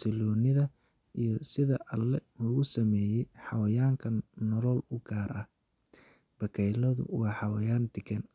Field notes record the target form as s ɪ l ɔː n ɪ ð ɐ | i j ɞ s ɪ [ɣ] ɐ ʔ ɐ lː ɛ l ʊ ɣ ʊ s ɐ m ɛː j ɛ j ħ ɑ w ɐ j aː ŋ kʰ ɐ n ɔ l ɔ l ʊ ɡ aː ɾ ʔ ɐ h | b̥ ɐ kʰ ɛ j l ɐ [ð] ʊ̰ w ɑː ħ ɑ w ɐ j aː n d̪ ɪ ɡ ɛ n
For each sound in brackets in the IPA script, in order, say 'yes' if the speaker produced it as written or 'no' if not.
no, yes

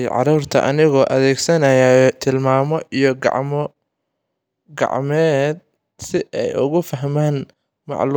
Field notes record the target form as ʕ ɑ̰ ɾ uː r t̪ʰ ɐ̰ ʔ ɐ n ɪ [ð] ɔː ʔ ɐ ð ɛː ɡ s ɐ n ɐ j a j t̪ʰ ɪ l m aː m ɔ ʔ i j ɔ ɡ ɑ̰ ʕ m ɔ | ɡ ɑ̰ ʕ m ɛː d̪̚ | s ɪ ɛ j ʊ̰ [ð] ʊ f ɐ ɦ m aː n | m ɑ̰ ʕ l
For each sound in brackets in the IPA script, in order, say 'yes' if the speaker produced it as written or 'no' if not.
no, no

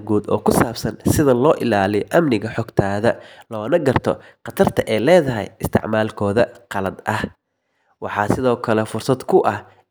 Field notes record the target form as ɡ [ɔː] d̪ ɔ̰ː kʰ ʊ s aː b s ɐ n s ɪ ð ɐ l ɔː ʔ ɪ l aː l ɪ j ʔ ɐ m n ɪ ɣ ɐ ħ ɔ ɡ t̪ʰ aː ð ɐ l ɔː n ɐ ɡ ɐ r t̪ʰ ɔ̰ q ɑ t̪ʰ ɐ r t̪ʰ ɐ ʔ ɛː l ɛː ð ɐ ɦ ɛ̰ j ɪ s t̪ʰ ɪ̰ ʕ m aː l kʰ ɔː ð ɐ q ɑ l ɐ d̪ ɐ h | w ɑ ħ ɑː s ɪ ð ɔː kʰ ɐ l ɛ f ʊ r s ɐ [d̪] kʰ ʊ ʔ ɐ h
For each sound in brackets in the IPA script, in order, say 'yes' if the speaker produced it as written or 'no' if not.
no, yes

